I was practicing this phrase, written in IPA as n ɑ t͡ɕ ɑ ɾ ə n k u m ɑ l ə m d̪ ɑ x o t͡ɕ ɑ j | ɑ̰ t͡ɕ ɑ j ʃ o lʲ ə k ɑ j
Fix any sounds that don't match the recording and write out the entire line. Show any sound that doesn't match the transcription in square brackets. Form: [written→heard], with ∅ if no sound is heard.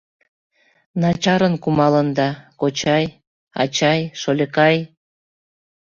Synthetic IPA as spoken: n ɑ t͡ɕ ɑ ɾ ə n k u m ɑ l ə [m→n] d̪ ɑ [x→k] o t͡ɕ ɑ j | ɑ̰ t͡ɕ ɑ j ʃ o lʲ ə k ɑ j